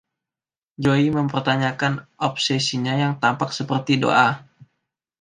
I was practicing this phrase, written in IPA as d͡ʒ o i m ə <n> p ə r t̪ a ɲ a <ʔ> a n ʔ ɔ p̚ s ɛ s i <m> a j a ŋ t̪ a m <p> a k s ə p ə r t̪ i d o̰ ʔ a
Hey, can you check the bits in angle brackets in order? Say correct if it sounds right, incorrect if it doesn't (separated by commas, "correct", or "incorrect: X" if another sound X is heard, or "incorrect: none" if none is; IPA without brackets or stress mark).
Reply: incorrect: m, incorrect: k, incorrect: ɲ, correct